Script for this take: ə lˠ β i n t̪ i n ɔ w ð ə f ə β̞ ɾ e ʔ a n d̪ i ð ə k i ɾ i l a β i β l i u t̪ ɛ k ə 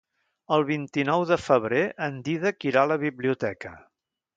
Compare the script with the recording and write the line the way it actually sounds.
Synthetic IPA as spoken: ə lˠ β i n t̪ i n ɔ w ð ə f ə β̞ ɾ e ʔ ə n d̪ i ð ə k i ɾ a l ə β i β l i u t̪ ɛ k ə